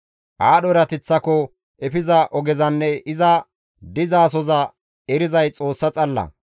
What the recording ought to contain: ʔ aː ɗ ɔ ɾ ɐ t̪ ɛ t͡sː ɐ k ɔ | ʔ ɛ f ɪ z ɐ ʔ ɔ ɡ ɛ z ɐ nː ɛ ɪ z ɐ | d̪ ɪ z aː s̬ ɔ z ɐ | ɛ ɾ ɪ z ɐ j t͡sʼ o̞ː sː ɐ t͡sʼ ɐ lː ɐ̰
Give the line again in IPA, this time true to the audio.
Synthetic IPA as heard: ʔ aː ɗ ɔ ɾ ɐ t̪ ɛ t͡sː ɐ k ɔ | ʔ ɛ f ɪ z ɐ ʔ ɔ ɡ ɛ z ɐ nː ɛ ɪ z ɐ | d̪ ɪ z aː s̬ ɔ z ɐ | ɛ ɾ ɪ z ɐ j t͡sʼ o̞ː sː ɐ t͡sʼ ɐ lː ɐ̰